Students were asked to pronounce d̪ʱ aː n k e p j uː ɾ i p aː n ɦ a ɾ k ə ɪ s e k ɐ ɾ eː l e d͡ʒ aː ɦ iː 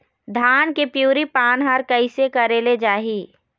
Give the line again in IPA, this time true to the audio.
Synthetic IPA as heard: d̪ʱ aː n k e p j uː ɾ i p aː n ɦ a ɾ k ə ɪ s e k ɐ ɾ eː l e d͡ʒ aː ɦ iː